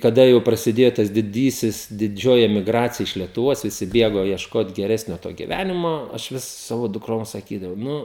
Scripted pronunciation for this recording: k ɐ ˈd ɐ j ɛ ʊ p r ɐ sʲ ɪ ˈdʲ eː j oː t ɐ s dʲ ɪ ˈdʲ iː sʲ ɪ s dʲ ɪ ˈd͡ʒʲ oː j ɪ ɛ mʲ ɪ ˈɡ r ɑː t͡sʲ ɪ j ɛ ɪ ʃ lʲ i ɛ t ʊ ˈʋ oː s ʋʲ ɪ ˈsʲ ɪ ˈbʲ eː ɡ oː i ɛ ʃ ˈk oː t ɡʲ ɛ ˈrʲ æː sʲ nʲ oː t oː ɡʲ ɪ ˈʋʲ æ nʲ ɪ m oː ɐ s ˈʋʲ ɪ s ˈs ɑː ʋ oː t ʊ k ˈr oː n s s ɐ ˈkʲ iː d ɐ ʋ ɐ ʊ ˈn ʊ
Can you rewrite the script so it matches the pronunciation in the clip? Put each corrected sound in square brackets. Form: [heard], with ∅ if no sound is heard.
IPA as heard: k ɐ ˈd ɐ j ɛ ʊ p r ɐ sʲ ɪ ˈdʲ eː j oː t ɐ s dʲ ɪ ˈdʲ iː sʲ ɪ s dʲ ɪ ˈd͡ʒʲ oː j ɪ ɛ mʲ ɪ ˈɡ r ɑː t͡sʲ ɪ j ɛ ɪ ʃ lʲ i ɛ t ʊ ˈʋ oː s ʋʲ ɪ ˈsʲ ɪ ˈbʲ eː ɡ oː i ɛ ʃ ˈk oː t ɡʲ ɛ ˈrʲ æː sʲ nʲ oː t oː ɡʲ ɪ ˈʋʲ æ nʲ ɪ m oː ɐ [ʃ] ˈʋʲ ɪ s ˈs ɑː ʋ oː [d] ʊ k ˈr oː [m] s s ɐ ˈkʲ iː d ɐ ʋ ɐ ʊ ˈn ʊ